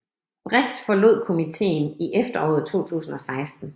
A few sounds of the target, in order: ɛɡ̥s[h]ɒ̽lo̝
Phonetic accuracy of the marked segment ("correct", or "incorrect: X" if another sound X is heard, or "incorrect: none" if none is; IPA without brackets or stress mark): incorrect: f